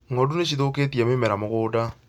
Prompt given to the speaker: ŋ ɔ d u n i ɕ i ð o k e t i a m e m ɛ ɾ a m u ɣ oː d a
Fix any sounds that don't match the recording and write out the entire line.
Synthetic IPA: ŋ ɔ d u n e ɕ i ð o k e t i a m e m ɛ ɾ a m o ɣ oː d a

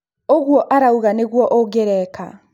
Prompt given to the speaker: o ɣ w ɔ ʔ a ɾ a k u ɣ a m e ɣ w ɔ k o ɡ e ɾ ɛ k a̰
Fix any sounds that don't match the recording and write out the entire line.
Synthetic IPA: o ɣ w ɔ ʔ a ɾ a u ɣ a n e ɣ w ɔ ʔ o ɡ e ɾ ɛ k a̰

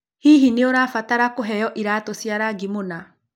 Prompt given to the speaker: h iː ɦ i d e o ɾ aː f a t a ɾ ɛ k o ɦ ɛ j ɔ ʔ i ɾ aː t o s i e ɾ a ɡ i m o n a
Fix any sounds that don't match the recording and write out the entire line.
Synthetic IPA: h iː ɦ i n e o ɾ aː f a t a ɾ a k o ɦ ɛ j ɔ ʔ i ɾ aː t o s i a ɾ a ɡ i m o n a

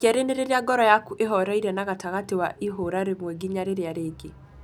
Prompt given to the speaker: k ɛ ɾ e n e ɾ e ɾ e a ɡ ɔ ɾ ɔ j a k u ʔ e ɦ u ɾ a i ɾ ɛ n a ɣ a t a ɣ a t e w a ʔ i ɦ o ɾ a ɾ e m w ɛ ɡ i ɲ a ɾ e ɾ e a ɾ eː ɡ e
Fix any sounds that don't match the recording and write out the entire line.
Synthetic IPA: k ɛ ɾ e n e ɾ e ɾ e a ɡ ɔ ɾ ɔ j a k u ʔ e ɦ ɔ ɾ a i ɾ ɛ n a ɣ a t a ɣ a t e w a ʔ i ɦ o ɾ a ɾ e m w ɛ ɡ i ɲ a ɾ e ɾ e a ɾ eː ɡ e

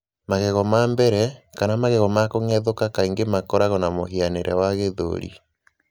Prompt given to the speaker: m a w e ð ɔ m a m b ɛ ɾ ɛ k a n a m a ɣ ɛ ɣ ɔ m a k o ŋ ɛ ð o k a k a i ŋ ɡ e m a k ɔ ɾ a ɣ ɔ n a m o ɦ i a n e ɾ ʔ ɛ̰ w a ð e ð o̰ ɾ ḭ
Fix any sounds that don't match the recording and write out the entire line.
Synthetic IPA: m a ɣ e ɣ ɔ m a m b ɛ ɾ ɛ k a n a m a ɣ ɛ ɣ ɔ m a k o ŋ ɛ ð o k a k a i ŋ ɡ e m a k ɔ ɾ a ɣ ɔ n a m o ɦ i a n e ɾ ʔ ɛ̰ w a ɣ e ð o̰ ɾ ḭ

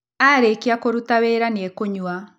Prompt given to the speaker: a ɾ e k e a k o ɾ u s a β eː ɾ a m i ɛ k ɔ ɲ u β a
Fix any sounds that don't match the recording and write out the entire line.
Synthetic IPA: a ɾ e k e a k o ɾ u t a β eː ɾ a n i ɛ k o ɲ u a

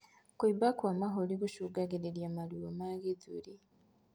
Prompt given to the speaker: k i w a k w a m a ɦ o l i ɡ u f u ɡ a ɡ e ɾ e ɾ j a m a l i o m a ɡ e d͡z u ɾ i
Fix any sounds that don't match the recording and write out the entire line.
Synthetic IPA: k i b a k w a m a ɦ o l i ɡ u ʃ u ɡ a ɡ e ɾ e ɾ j a m a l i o m a ɡ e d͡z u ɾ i

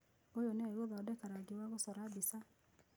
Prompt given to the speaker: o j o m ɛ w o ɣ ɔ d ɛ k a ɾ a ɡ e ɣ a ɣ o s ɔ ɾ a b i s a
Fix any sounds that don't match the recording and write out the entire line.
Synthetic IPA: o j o n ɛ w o ð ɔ d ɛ k a ɾ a ɡ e w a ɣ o s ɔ ɾ a b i s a

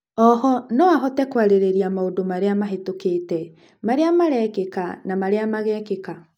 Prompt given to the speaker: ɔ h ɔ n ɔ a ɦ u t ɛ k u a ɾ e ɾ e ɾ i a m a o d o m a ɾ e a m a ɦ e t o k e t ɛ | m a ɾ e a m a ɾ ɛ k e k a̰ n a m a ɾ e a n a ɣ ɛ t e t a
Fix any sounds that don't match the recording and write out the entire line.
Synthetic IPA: ɔ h ɔ n ɔ a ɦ ɔ t ɛ k w a ɾ e ɾ e ɾ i a m a o d o m a ɾ e a m a ɦ e t o k e t ɛ | m a ɾ e a m a ɾ ɛ k e k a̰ n a m a ɾ e a m a ɣ ɛ k e k a

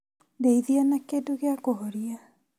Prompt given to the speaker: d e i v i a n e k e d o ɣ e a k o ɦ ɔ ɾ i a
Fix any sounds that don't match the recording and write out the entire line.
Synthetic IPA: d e i ð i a n a k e d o ɣ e a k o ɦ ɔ ɾ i a

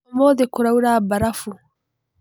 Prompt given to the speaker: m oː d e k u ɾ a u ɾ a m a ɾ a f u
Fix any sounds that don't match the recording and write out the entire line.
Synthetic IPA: m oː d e k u ɾ a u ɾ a b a ɾ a f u

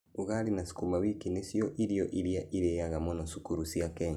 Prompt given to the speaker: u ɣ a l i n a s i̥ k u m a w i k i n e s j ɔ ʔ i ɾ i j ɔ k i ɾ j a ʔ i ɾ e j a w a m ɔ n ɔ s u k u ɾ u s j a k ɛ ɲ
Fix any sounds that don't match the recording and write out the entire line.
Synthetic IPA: u ɣ a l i n a s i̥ k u m a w i k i n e s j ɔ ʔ i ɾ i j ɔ ʔ i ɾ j a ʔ i ɾ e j a ɣ a m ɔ n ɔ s u k u ɾ u s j a k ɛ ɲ

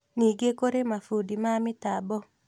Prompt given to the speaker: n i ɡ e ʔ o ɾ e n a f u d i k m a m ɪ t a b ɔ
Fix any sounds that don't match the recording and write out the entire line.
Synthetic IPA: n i ɡ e k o ɾ e m a f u d i m a m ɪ t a b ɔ

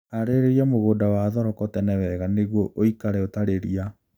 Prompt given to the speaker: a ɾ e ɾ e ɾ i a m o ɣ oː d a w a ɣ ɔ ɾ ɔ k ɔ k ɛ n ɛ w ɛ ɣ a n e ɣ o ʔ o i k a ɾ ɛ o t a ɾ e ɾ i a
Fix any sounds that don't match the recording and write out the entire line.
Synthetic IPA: a ɾ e ɾ e ɾ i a m o ɣ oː d a w a ð ɔ ɾ ɔ k ɔ t ɛ n ɛ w ɛ ɣ a n e ɣ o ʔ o i k a ɾ ɛ o t a ɾ e ɾ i a

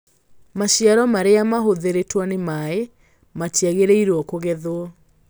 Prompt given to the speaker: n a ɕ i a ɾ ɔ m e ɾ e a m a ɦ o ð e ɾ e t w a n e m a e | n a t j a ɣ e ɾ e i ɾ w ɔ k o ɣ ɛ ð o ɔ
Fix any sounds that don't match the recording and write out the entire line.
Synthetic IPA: m a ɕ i a ɾ ɔ m a ɾ e a m a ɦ o ð e ɾ e t w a n e m a e | m a t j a ɣ e ɾ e i ɾ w ɔ k o ɣ ɛ ð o ɔ

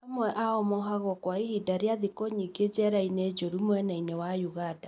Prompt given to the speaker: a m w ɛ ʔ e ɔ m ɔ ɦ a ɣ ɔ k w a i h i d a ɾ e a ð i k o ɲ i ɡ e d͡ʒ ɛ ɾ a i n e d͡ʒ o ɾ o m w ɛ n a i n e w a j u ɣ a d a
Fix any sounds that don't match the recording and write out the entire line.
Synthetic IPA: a m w ɛ ʔ a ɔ m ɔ ɦ a ɣ ɔ k w a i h i d a ɾ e a ð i k o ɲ i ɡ e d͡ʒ ɛ ɾ a i n e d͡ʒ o ɾ u m w ɛ n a i n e w a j u ɣ a d a

